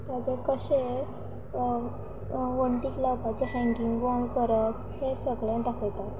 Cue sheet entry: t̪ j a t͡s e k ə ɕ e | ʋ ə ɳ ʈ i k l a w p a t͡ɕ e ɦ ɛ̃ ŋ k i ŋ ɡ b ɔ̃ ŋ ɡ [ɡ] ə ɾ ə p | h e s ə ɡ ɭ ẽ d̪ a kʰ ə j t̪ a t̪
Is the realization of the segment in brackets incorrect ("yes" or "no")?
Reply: yes